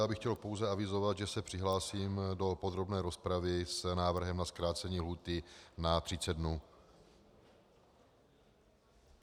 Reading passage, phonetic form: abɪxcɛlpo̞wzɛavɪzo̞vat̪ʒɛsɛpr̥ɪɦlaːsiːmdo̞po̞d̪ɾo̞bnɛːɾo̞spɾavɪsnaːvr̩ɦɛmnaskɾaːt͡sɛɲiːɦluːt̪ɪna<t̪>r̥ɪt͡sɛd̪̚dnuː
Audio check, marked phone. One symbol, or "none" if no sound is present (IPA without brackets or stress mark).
t̪